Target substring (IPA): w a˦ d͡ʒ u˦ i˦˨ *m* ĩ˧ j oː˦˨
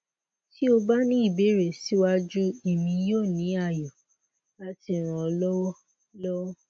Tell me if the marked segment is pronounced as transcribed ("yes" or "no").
yes